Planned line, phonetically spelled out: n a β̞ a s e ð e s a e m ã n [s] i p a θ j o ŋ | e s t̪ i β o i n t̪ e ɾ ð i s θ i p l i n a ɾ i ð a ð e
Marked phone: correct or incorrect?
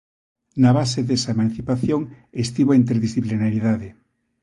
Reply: incorrect